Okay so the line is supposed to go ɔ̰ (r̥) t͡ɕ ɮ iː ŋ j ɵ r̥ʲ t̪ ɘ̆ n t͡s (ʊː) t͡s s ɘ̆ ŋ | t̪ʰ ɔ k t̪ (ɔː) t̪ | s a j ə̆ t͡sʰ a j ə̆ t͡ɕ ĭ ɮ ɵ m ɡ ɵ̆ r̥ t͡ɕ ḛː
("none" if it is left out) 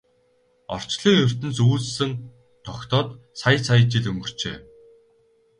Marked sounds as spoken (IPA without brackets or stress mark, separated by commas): r̥, uː, ɔː